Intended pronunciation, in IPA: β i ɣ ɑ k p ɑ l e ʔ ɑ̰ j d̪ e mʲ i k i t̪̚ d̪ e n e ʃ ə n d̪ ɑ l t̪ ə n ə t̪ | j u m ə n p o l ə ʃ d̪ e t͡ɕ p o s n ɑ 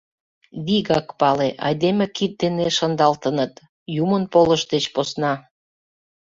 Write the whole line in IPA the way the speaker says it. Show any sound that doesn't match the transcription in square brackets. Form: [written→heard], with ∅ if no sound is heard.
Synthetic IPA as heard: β i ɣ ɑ k p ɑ l e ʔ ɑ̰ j d̪ e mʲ [i→e] k i t̪̚ d̪ e n e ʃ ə n d̪ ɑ l t̪ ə n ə t̪ | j u m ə n p o l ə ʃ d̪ e t͡ɕ p o s n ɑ